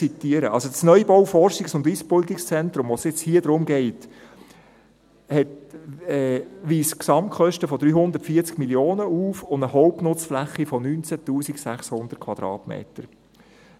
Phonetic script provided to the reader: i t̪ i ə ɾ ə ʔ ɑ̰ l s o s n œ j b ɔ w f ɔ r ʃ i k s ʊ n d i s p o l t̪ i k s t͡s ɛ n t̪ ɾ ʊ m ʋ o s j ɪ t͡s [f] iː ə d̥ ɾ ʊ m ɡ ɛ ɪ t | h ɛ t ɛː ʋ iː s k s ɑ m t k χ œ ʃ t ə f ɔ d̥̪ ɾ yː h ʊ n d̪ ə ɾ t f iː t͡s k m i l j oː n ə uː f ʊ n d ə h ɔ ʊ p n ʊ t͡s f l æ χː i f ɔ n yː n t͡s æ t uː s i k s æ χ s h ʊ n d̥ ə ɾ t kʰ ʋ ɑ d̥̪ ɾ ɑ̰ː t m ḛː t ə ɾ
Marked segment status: incorrect: h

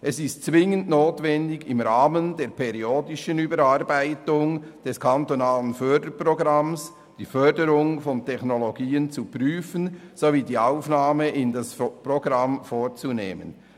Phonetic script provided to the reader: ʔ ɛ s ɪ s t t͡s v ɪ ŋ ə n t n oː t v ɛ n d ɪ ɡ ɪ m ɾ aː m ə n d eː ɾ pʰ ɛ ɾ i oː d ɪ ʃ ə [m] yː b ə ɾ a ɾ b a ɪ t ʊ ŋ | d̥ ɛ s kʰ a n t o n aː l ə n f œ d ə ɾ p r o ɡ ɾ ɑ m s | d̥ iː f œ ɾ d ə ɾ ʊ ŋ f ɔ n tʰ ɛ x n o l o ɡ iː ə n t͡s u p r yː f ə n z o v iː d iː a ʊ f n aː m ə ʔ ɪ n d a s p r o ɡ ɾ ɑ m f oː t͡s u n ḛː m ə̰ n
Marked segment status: incorrect: n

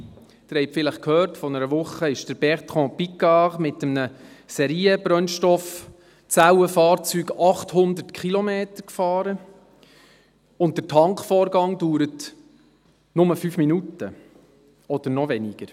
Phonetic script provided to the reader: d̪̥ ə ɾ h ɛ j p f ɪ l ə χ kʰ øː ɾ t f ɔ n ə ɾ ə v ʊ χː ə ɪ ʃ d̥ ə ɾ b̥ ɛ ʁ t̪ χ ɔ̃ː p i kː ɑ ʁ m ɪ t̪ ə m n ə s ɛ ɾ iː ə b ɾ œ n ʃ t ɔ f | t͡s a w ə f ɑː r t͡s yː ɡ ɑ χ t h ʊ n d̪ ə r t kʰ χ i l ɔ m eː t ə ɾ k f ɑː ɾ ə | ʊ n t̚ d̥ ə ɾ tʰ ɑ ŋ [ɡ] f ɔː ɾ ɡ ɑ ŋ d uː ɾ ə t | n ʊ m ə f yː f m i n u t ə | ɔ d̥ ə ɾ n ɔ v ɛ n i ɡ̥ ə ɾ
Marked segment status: incorrect: k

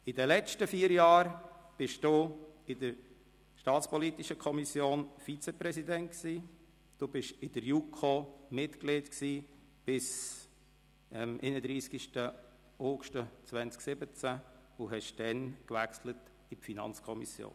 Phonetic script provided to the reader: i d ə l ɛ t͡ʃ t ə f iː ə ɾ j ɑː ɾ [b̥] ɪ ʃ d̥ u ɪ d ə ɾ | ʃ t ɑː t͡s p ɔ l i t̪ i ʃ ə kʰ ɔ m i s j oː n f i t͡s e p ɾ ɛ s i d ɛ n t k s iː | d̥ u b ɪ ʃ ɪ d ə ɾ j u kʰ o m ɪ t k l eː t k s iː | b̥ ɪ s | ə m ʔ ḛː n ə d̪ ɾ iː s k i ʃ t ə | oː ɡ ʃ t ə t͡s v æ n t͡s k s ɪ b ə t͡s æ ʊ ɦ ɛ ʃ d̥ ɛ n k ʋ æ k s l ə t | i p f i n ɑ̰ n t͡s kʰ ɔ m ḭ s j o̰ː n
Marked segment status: correct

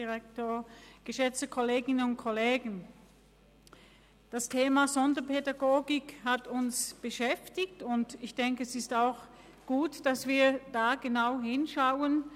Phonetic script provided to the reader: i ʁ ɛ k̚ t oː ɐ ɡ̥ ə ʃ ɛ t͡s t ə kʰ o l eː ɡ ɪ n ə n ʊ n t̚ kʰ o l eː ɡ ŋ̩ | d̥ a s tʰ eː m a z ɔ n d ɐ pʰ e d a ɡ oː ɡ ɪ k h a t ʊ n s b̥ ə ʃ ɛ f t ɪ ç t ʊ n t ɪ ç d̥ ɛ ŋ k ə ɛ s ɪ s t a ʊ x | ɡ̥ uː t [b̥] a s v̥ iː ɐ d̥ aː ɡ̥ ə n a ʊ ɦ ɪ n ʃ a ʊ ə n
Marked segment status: incorrect: d̥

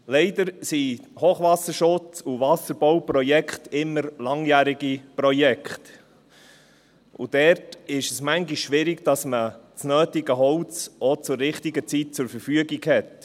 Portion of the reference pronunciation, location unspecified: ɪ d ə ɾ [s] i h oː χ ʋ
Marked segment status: correct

